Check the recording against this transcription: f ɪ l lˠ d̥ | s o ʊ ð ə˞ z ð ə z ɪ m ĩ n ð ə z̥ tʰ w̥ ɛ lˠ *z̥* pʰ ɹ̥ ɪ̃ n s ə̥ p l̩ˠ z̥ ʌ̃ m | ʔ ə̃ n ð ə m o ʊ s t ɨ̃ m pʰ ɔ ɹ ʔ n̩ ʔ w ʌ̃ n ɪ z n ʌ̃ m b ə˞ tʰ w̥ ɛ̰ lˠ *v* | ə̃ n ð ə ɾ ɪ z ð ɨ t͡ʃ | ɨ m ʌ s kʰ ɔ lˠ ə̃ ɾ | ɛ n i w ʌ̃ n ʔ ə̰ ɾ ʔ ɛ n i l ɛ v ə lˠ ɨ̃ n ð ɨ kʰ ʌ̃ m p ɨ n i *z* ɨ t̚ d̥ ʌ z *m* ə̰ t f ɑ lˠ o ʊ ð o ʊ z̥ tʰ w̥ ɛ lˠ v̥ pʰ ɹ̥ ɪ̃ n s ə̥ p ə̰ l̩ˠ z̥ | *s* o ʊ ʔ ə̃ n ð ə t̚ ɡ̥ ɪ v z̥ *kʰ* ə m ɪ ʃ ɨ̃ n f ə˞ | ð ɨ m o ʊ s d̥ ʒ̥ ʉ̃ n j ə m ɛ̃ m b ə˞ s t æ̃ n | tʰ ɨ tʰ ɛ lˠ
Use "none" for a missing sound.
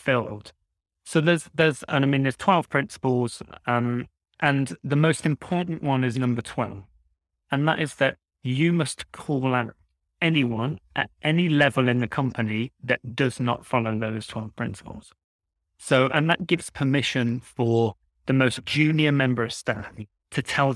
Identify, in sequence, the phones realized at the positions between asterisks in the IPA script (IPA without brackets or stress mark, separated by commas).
v̥, v, ð, n, s, pʰ